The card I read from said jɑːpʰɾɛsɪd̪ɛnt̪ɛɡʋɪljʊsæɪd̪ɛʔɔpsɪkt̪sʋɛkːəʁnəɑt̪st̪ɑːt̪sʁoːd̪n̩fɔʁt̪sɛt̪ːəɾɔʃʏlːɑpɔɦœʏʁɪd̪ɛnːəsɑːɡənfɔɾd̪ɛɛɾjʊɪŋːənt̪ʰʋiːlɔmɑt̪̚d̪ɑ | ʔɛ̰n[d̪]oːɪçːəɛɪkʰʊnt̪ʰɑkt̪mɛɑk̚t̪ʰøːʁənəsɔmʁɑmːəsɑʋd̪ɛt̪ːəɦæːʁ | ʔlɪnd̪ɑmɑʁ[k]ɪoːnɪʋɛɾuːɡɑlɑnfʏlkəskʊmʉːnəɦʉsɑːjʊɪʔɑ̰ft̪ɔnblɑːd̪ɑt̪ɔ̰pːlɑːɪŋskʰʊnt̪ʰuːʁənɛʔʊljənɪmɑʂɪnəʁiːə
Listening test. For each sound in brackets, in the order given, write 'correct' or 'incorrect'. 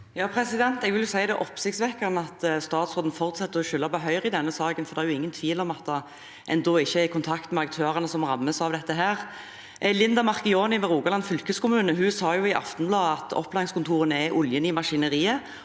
correct, correct

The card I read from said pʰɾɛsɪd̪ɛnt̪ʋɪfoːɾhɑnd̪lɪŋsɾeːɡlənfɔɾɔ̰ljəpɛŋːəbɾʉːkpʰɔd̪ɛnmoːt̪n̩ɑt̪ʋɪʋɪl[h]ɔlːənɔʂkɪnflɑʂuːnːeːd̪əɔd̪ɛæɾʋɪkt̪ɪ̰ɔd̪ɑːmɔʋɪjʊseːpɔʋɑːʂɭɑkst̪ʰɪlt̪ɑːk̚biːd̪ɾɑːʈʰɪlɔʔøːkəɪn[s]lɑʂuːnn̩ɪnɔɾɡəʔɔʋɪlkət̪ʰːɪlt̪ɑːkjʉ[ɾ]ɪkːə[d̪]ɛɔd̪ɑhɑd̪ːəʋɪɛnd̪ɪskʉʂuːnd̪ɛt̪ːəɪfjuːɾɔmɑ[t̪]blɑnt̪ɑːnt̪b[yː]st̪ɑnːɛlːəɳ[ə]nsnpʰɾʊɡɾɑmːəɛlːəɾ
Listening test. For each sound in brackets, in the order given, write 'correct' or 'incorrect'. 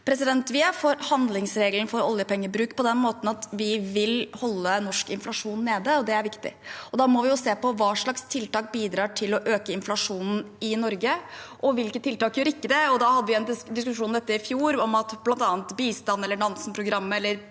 correct, incorrect: f, correct, correct, correct, incorrect: iː, incorrect: ɑ

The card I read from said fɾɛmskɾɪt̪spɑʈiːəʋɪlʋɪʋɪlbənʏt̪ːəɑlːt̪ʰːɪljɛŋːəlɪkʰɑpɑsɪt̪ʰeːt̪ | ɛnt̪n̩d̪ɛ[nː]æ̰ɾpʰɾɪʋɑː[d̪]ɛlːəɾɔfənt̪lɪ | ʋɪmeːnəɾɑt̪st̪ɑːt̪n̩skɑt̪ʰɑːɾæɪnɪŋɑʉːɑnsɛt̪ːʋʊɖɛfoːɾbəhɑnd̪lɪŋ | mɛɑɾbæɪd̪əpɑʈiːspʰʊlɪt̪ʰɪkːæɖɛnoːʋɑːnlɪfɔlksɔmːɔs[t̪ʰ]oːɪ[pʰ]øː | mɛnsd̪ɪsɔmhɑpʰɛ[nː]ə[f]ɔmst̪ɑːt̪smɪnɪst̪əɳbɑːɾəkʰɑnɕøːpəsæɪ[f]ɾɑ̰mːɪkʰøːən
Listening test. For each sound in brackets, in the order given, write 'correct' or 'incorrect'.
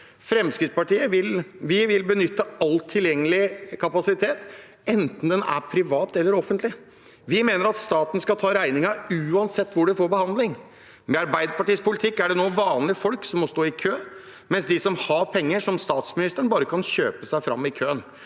incorrect: n, incorrect: t̪, incorrect: t̪, incorrect: kʰ, incorrect: ŋː, incorrect: ʂ, correct

